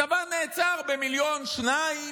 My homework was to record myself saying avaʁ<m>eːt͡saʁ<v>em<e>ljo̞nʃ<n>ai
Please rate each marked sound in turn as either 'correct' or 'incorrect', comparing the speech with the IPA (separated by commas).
incorrect, incorrect, incorrect, correct